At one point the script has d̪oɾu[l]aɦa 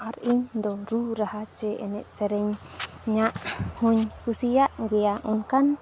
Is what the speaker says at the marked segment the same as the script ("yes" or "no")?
no